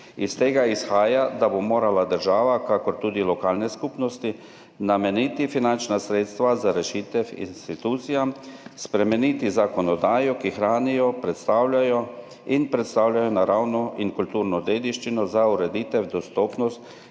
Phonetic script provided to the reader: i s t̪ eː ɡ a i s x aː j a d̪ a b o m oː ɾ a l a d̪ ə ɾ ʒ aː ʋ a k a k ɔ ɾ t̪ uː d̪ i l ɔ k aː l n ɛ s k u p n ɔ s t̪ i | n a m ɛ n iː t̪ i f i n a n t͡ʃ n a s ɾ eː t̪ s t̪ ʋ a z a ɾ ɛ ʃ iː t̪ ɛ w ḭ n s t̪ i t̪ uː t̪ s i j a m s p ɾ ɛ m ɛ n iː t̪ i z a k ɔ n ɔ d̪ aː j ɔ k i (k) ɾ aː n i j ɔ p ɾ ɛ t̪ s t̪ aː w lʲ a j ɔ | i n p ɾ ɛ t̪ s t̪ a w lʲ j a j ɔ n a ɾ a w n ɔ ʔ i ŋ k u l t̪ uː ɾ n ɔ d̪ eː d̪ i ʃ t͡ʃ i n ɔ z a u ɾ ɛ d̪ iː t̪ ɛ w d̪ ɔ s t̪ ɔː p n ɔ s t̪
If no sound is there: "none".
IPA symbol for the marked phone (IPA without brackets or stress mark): x